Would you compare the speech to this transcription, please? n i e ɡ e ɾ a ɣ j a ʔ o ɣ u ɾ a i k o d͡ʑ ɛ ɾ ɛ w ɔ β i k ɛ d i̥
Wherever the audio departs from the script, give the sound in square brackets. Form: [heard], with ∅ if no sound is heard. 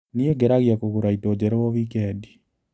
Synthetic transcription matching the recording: n i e ɡ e ɾ a ɣ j a [k] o ɣ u ɾ a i [t] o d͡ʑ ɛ ɾ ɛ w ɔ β i k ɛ d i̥